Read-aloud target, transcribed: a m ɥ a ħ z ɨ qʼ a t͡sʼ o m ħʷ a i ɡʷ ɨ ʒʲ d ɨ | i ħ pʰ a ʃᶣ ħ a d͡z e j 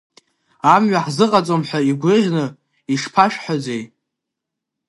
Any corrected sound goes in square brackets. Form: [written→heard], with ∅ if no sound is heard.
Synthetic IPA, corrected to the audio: a m ɥ a ħ z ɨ qʼ a t͡sʼ o m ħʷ a i ɡʷ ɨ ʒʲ [d→n] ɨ | i [ħ→ʂ] pʰ a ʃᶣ ħ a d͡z e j